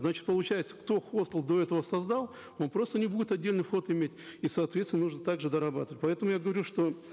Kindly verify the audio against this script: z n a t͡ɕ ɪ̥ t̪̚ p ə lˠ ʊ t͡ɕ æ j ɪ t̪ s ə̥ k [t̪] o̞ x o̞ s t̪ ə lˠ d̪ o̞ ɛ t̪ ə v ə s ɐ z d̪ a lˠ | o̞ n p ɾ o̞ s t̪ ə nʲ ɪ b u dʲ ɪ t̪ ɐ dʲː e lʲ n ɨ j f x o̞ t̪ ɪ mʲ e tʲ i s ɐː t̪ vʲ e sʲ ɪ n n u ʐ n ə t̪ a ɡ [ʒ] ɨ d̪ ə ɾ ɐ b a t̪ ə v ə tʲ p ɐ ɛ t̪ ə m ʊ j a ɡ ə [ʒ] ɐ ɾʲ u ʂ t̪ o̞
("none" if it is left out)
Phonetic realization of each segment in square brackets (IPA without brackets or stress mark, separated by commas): t̪, ʐ, v